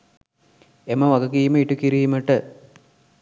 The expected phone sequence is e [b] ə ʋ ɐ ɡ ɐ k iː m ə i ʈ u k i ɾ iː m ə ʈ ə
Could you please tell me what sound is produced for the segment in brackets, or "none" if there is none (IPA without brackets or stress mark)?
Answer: m